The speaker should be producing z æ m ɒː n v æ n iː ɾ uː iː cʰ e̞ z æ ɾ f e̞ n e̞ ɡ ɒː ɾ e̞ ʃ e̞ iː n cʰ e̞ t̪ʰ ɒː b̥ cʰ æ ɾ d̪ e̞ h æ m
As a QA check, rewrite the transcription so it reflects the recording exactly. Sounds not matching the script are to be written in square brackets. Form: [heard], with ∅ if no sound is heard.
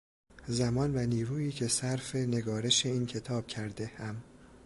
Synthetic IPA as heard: z æ m ɒː n v æ n iː ɾ uː iː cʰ e̞ [s] æ ɾ f e̞ n e̞ ɡ ɒː ɾ e̞ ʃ e̞ iː n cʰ e̞ t̪ʰ ɒː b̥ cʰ æ ɾ d̪ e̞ h æ m